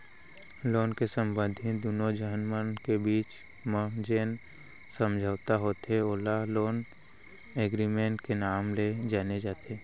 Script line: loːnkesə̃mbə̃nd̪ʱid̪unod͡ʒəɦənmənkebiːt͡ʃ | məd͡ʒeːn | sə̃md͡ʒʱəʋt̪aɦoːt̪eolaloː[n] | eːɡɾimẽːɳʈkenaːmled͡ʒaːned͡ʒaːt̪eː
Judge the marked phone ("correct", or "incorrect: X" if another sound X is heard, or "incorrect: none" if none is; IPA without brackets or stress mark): correct